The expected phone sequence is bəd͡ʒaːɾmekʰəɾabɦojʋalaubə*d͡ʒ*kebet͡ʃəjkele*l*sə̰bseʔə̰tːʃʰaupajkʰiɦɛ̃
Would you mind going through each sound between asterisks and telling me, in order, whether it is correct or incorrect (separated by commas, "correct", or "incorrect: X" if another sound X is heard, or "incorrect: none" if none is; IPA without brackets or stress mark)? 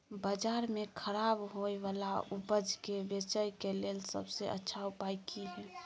correct, correct